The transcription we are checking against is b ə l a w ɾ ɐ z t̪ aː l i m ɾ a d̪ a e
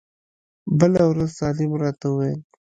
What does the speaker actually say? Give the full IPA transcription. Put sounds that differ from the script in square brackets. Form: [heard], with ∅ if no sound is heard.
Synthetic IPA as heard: b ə l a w ɾ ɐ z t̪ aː l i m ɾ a [t̪] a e